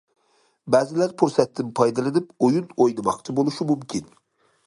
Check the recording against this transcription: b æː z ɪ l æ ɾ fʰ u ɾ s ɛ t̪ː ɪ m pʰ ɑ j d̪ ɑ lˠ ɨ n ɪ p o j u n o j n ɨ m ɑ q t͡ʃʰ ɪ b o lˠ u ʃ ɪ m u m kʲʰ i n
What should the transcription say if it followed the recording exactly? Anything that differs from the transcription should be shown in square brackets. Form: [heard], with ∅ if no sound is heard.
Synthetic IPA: b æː z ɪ l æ ɾ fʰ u ɾ s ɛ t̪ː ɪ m pʰ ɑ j d̪ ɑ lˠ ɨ n ɪ p o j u n o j n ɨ m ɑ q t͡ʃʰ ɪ b o lˠ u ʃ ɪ m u m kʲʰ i n